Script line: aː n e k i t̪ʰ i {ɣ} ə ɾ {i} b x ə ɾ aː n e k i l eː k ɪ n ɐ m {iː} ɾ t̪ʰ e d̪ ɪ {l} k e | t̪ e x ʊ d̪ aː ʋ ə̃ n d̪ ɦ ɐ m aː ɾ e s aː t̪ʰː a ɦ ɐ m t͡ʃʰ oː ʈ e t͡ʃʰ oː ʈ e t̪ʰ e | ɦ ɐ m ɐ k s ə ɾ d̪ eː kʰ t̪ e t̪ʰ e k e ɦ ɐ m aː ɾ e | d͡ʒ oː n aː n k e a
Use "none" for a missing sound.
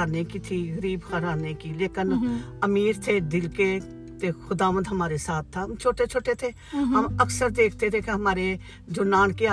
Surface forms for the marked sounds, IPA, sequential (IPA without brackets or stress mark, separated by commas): ɣ, iː, iː, l